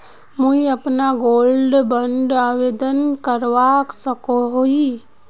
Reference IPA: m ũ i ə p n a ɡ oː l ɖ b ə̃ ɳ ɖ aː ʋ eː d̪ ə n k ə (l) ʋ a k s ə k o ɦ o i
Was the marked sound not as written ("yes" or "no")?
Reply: yes